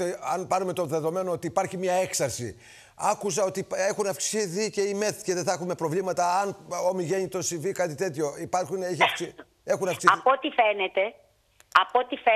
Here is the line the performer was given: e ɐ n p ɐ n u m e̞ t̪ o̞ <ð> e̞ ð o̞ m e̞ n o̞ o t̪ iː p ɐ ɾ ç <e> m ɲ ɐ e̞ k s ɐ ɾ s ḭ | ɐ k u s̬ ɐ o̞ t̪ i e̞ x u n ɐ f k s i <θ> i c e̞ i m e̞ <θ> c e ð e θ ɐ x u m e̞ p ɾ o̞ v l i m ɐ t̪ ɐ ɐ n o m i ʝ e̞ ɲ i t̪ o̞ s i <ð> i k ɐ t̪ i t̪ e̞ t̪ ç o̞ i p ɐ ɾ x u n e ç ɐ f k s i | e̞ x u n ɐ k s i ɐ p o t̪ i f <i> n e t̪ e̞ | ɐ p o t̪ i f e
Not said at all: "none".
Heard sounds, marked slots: ð, i, θ, θ, v, e

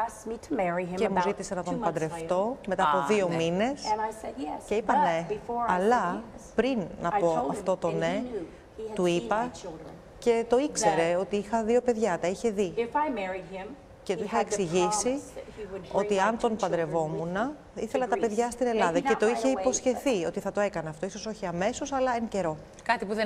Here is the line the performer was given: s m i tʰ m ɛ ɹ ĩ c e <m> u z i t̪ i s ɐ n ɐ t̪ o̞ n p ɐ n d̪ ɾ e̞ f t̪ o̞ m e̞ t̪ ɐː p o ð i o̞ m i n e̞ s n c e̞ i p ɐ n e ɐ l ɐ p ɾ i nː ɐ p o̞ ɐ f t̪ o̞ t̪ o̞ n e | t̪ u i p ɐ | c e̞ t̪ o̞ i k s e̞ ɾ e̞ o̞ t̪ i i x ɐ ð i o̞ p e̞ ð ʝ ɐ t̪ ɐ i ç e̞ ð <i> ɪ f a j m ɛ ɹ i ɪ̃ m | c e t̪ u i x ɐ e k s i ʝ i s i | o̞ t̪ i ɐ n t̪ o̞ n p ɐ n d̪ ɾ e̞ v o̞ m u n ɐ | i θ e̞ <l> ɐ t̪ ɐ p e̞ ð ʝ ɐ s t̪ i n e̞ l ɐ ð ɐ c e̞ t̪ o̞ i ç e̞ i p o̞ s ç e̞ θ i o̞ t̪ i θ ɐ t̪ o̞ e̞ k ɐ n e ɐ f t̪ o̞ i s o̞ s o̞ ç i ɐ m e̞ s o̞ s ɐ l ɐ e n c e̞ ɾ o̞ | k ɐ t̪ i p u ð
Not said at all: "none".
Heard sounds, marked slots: m, i, l

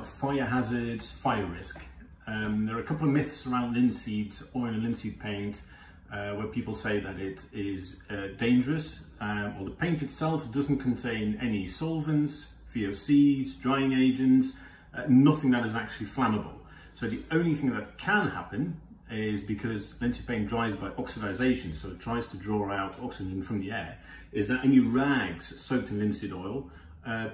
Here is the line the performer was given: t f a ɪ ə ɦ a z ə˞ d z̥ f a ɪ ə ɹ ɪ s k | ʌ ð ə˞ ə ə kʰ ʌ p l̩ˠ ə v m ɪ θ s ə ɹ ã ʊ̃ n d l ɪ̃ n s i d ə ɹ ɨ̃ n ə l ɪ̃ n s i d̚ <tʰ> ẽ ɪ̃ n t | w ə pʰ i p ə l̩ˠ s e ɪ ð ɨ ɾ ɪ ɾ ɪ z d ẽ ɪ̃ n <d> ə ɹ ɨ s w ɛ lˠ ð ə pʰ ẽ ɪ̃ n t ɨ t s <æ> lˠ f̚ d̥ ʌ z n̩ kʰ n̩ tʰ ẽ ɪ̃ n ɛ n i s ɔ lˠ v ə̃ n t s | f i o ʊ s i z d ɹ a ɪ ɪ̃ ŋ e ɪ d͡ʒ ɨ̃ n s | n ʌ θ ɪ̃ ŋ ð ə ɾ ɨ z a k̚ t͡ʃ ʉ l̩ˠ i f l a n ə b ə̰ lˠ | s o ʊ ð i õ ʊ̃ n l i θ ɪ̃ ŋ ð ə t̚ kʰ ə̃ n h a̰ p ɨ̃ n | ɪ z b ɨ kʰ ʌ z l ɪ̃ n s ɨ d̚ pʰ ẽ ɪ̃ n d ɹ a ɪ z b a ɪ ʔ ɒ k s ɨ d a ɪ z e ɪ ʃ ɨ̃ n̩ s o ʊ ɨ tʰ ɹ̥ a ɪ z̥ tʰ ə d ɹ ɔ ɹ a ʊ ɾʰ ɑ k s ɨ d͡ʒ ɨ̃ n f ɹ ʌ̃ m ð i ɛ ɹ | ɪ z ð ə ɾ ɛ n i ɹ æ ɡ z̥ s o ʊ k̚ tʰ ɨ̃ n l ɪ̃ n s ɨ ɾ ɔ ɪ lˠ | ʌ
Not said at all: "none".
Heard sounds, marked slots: pʰ, d͡ʒ, ɛ

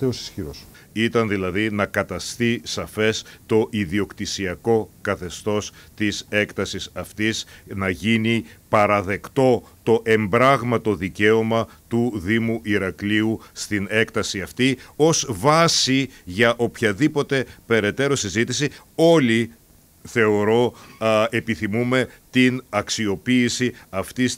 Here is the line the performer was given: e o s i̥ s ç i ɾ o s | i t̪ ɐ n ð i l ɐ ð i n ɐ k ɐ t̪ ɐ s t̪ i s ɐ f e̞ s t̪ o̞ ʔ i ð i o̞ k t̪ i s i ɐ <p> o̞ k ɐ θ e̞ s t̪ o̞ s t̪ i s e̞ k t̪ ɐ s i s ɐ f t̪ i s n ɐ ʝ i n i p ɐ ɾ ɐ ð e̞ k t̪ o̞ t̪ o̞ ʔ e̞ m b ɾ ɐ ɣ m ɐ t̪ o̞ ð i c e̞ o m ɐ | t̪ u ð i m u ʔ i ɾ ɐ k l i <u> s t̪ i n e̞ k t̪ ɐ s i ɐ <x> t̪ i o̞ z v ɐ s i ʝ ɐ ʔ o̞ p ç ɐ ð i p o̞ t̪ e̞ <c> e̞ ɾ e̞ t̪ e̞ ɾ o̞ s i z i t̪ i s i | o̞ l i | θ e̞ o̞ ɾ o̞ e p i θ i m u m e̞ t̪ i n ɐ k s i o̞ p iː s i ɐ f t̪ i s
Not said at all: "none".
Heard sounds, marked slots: k, u, f, p

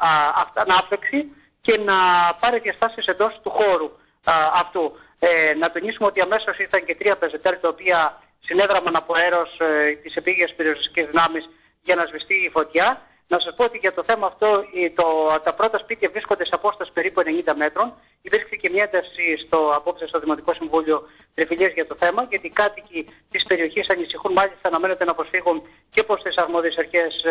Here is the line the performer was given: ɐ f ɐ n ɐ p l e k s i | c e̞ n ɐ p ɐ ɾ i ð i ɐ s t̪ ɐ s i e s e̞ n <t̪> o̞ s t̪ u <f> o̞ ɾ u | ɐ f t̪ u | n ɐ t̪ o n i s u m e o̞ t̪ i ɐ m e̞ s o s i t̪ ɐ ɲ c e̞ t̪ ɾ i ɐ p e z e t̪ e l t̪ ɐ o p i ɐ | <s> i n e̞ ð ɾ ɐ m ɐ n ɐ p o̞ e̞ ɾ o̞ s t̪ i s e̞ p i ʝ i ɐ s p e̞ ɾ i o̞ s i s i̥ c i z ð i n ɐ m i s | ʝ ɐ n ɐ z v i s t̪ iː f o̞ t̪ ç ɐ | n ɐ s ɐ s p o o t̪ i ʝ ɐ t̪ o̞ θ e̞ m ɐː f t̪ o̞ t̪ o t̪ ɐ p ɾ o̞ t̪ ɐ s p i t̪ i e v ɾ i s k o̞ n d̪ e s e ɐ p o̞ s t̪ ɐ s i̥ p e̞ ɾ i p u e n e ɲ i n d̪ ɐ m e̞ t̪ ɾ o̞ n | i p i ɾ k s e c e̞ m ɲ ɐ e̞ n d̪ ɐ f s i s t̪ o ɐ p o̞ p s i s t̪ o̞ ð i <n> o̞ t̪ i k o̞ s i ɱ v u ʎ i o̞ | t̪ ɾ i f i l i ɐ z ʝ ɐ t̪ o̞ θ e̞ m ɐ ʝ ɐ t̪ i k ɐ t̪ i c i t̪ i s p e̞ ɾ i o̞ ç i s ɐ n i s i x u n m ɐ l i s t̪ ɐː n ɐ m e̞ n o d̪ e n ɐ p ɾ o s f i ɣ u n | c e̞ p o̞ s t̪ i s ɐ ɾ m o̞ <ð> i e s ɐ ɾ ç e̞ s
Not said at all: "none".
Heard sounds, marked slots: d̪, x, s, m, ð

